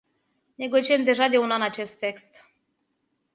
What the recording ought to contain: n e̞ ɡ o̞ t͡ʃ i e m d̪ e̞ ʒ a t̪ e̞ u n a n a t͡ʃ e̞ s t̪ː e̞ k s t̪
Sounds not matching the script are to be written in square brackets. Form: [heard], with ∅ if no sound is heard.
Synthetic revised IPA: n e̞ ɡ o̞ t͡ʃ i e m d̪ e̞ ʒ a [d̪] e̞ u n a n a t͡ʃ e̞ s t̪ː e̞ k s t̪